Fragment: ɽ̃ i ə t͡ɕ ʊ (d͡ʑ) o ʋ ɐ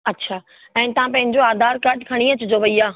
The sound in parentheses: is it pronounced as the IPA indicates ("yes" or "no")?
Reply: yes